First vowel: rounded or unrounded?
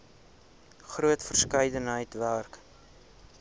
rounded